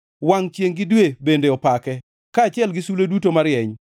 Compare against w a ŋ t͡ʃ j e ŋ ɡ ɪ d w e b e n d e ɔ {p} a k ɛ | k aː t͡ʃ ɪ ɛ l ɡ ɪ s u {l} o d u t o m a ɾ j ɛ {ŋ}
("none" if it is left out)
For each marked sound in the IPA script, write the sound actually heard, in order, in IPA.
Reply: p, l, ɲ

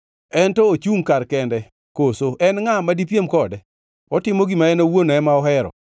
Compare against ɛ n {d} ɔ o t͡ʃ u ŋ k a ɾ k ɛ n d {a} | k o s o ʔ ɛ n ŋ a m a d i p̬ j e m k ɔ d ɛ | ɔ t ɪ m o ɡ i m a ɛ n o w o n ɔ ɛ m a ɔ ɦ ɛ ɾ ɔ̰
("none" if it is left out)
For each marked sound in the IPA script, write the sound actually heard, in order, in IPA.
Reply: t, ɛ

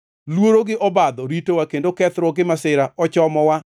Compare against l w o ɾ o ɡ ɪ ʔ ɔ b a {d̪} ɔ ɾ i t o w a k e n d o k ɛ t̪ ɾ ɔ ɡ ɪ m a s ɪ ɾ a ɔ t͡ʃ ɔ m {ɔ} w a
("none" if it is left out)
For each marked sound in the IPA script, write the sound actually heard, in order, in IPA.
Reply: d̪, ɔ

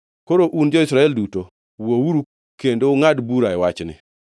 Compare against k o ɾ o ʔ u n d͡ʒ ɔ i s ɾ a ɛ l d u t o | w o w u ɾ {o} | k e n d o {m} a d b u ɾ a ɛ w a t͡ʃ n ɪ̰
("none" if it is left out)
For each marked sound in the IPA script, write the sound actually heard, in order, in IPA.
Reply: u, ŋ

